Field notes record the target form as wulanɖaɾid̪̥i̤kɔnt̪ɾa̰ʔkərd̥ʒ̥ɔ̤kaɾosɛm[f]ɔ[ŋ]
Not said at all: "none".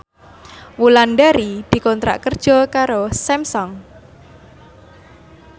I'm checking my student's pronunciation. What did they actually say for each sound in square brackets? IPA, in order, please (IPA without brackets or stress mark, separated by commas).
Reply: s, ŋ